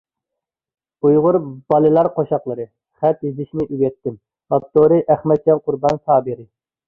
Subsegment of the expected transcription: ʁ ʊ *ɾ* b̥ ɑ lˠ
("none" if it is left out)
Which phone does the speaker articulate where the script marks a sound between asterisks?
ɾ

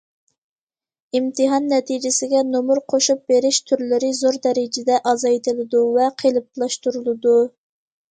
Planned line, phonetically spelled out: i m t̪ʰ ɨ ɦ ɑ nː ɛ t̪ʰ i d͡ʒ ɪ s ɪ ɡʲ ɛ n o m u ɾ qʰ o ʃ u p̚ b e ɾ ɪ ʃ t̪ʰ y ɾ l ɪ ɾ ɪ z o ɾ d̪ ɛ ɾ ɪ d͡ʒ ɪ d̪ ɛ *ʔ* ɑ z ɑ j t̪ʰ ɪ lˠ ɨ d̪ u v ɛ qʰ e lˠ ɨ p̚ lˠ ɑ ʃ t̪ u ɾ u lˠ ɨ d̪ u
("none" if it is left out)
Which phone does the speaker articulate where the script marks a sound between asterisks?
ʔ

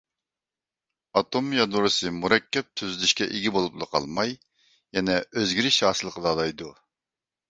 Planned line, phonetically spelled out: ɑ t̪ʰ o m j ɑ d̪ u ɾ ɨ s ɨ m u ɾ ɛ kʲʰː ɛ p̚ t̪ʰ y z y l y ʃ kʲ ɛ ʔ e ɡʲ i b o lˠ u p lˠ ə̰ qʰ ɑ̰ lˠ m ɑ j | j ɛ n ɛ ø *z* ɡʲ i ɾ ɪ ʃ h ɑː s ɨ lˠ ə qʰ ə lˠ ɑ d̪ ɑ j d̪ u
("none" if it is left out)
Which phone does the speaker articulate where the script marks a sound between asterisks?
z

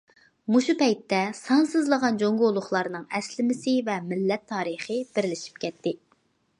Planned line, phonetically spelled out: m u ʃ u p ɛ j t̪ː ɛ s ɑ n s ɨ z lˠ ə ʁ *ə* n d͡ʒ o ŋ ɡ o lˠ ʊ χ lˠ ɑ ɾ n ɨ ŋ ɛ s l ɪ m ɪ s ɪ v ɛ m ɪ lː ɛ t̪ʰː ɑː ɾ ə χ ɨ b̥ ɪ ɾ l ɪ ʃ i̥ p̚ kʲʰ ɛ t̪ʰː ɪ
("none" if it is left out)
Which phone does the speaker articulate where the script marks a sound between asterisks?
ɑ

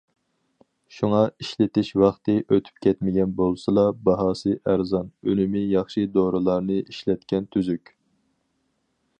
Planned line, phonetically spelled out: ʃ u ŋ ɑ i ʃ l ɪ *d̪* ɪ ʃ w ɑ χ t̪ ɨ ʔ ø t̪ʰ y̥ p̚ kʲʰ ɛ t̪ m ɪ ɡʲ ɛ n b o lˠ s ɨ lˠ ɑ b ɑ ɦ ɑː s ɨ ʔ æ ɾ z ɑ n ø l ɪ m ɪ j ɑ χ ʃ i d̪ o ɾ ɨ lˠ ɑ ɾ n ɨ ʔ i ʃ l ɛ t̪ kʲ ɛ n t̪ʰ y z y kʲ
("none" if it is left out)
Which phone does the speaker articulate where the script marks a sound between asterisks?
t̪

